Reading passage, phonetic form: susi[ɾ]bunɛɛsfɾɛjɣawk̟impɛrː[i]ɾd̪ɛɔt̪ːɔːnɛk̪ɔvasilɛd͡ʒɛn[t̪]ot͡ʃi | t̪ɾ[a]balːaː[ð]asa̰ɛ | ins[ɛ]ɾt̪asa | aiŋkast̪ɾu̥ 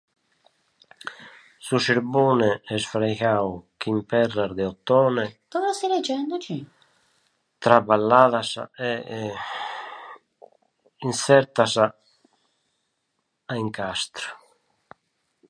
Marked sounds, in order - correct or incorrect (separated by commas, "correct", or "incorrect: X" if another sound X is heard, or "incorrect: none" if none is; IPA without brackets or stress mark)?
correct, incorrect: a, incorrect: d̪, correct, correct, correct